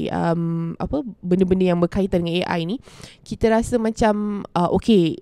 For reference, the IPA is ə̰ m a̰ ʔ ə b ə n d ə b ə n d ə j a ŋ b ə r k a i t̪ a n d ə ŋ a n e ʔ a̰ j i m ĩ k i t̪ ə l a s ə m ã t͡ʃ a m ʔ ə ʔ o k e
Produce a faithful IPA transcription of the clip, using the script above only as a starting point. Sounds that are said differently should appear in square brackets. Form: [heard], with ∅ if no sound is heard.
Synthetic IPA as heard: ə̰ m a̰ [p] ə b ə n d ə b ə n d ə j a ŋ b ə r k a i t̪ a n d ə ŋ a n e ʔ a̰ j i [n] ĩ k i t̪ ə [ɾ] a s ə m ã t͡ʃ a m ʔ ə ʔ o k e